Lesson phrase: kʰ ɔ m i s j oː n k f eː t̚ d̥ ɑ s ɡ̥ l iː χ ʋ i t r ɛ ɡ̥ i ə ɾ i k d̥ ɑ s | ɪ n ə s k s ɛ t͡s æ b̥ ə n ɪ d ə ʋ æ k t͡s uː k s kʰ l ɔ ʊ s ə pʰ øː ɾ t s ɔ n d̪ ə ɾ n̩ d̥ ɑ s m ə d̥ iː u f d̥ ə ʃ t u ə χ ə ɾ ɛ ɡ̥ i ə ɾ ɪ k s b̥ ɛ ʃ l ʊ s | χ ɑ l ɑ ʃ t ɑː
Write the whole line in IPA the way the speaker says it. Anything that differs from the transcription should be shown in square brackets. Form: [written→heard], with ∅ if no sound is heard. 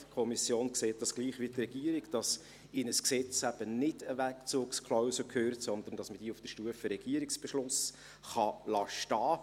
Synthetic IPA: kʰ ɔ m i s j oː n k [f→s] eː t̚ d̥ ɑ s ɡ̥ l iː χ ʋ i t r ɛ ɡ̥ i ə ɾ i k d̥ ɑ s | ɪ n ə s k s ɛ t͡s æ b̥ ə n ɪ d ə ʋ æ k t͡s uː k s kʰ l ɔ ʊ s ə [pʰ→kʰ] øː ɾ t s ɔ n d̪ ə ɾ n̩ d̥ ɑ s m ə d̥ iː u f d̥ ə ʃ t u ə [χ→f] ə ɾ ɛ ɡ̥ i ə ɾ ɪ k s b̥ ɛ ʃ l ʊ s | χ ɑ l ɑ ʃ t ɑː